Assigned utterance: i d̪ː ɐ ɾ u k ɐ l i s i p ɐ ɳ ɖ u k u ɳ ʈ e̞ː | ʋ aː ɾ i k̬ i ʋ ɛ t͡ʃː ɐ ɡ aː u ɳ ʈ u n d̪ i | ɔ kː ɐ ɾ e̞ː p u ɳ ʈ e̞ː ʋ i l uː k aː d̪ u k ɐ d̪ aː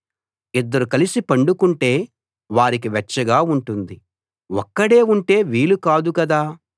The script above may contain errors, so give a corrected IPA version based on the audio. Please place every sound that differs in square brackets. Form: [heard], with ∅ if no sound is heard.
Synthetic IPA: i d̪ː ɐ ɾ u k ɐ l i s i p ɐ ɳ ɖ u k u ɳ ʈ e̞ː | ʋ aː ɾ i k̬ i ʋ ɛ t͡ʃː ɐ ɡ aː u ɳ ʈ u n d̪ i | ɔ kː ɐ [ɽ] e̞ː [∅] u ɳ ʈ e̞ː ʋ [iː] l [u] k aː d̪ u k ɐ d̪ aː